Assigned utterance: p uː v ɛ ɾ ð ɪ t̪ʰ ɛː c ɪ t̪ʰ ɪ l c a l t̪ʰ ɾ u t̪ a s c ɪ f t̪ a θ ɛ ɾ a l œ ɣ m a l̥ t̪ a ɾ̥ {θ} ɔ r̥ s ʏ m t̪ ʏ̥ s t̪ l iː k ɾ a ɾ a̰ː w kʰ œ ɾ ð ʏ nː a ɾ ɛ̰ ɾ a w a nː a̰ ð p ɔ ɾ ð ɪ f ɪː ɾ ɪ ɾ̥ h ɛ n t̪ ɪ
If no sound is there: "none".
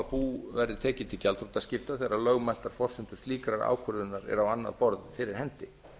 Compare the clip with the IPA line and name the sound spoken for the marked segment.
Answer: f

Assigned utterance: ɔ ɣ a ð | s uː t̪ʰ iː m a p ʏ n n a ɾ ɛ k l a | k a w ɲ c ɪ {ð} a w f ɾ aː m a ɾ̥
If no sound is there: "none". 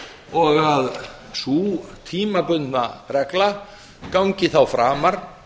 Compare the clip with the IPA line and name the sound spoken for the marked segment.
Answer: θ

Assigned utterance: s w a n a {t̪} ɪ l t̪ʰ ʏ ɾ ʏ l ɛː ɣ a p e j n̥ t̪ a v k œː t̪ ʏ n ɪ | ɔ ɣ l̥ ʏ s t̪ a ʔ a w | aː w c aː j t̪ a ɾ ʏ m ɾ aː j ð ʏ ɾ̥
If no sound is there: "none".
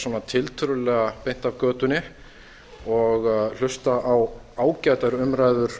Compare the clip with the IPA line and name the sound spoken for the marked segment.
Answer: t̪ʰ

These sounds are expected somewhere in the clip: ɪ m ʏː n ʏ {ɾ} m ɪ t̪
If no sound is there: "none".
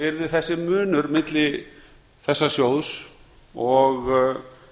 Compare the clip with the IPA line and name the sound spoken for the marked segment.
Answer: ɾ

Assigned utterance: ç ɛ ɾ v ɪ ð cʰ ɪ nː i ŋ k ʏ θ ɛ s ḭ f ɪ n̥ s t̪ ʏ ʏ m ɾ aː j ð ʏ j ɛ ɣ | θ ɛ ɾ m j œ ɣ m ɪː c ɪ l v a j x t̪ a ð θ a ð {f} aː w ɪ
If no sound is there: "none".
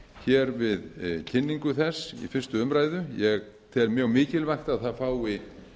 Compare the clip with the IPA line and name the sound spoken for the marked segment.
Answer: f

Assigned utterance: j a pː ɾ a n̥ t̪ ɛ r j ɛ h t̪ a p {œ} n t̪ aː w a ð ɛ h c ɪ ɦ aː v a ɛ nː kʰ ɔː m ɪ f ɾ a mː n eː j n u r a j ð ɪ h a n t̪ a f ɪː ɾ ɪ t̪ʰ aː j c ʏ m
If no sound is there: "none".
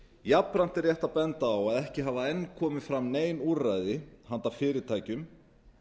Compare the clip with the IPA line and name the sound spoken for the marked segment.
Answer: ɛ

